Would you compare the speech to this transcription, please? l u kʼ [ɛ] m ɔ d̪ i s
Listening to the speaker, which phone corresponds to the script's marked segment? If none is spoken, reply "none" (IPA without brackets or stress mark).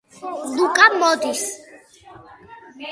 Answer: a